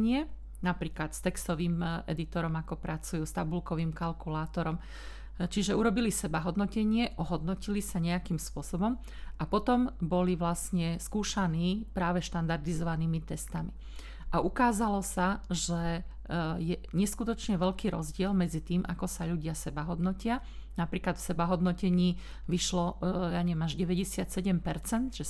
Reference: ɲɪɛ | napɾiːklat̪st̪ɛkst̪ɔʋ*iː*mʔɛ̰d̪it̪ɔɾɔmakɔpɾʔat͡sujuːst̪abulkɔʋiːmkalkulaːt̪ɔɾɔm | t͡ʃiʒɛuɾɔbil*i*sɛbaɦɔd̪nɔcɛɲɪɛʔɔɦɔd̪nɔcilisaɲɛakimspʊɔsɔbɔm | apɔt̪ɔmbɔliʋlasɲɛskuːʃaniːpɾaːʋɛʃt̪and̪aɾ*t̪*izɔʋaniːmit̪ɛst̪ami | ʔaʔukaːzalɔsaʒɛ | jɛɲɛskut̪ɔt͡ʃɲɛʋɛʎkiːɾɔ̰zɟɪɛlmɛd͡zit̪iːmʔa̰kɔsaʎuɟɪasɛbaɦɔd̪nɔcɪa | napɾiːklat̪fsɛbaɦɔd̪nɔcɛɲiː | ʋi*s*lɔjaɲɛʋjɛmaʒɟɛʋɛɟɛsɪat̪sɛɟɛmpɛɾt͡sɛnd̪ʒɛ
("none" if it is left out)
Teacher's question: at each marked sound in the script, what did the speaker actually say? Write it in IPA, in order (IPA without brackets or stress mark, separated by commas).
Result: iː, i, d̪, ʃ